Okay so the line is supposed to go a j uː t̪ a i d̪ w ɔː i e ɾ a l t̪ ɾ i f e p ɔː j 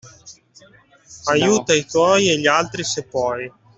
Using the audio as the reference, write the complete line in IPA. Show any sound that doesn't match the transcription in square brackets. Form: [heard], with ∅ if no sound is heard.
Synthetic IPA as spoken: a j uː t̪ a i [t̪] w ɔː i e [ʎ] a l t̪ ɾ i [s] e p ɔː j